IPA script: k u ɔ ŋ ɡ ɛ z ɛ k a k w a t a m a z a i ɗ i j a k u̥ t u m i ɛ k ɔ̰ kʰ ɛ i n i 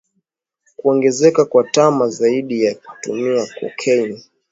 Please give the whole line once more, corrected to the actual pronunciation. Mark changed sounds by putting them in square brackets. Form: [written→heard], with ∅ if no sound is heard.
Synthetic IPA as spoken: k u ɔ ŋ ɡ ɛ z ɛ k a k w a t a m a z a i ɗ i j a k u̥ t u m i [ɛ→a] k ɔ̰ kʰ ɛ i n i